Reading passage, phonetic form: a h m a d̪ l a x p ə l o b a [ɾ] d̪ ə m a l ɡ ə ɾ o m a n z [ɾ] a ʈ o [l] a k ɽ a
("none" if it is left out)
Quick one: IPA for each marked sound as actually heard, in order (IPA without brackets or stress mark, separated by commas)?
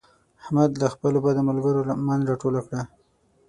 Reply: none, ɾ, l